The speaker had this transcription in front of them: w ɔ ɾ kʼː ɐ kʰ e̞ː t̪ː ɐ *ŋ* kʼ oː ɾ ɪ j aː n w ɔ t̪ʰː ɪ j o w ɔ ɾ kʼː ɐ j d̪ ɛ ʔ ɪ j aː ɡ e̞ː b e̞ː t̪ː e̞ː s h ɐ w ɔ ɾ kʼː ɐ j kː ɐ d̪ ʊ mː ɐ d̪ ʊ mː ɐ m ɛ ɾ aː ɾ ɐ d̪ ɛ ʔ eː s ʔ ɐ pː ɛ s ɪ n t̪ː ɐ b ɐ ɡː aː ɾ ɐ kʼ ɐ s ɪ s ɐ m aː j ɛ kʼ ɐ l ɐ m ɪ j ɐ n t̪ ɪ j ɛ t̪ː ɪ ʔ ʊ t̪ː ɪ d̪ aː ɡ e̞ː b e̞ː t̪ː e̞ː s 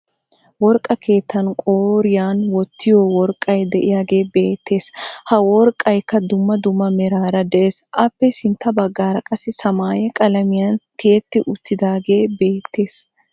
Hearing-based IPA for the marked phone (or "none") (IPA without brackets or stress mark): n